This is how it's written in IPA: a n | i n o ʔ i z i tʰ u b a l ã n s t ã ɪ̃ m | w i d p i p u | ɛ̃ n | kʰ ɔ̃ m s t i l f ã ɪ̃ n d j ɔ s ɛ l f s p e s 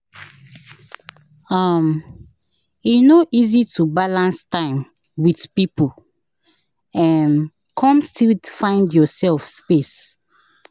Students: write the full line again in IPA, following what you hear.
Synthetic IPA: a m | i n o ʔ i z i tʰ u b a l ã n s t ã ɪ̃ m | w i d p i p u | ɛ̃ n | kʰ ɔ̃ m s t i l f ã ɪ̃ n d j ɔ s ɛ l f s p e s